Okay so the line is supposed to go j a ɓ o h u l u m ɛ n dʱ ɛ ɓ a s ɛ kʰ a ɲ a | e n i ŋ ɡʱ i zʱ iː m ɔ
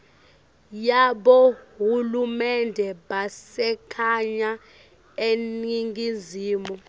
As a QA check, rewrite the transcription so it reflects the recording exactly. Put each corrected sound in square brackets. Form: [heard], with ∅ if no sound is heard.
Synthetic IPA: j a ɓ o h u l u m ɛ n dʱ ɛ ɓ a s ɛ kʰ a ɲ a | e n i ŋ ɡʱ i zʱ iː m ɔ

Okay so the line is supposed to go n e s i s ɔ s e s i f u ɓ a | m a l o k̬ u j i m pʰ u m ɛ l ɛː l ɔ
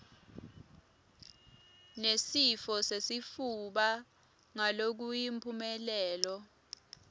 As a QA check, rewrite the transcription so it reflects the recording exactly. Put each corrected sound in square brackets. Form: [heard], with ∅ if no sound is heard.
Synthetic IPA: n e s i [f] ɔ s e s i f u ɓ a | [ŋ] a l o k̬ u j i m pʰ u m ɛ l ɛː l ɔ

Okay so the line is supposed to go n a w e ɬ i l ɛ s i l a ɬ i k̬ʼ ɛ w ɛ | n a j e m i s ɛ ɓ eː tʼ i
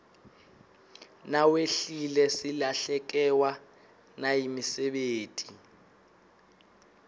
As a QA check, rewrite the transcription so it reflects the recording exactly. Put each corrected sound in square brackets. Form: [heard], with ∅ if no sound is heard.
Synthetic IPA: n a w e ɬ i l ɛ s i l a ɬ [ɛ] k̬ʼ ɛ w [a] | n a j [i] m i s ɛ ɓ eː tʼ i

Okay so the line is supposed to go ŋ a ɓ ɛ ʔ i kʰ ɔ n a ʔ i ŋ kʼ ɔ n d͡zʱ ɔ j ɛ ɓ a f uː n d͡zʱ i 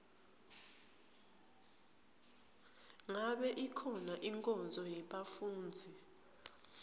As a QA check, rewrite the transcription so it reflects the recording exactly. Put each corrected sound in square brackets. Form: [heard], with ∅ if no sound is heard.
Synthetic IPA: ŋ a ɓ ɛ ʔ i kʰ ɔ n a ʔ i ŋ kʼ ɔ n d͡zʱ ɔ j ɛ ɓ a f uː n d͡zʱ i

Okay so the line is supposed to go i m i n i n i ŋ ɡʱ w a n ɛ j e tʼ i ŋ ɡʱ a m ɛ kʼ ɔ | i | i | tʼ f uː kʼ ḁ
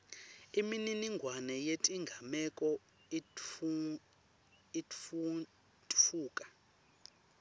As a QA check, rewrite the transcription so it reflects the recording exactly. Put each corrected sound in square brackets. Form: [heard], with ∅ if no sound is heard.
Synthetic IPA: i m i n i n i ŋ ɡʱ w a n ɛ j e tʼ i ŋ ɡʱ a m ɛ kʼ ɔ | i | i | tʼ f uː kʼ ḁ

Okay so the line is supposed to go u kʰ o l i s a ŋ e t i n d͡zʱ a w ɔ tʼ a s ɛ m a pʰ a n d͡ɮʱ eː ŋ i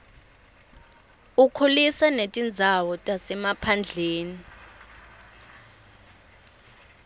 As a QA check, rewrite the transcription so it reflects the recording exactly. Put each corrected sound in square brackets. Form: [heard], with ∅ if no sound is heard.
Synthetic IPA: u kʰ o l i s a [n] e [tʼ] i n d͡zʱ a w ɔ tʼ a s ɛ m a pʰ a n d͡ɮʱ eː [n] i

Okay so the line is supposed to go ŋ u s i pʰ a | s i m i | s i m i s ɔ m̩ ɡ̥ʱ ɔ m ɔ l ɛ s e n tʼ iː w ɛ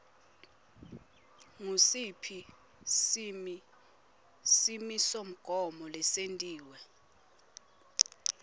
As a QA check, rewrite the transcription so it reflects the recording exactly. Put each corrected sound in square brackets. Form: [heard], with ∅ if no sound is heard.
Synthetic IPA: ŋ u s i pʰ [i] | s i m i | s i m i s [o] m̩ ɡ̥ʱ ɔ m ɔ l ɛ s e n tʼ iː w ɛ

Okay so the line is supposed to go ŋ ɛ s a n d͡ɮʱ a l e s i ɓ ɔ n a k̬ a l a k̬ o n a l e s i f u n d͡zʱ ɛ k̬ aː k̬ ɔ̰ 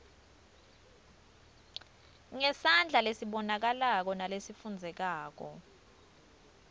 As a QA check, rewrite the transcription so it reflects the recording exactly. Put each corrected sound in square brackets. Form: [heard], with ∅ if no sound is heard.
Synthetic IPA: ŋ ɛ s a n d͡ɮʱ a l e s i ɓ ɔ n a k̬ a l a k̬ [ɔ] n a l e s i f u n d͡zʱ ɛ k̬ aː k̬ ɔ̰

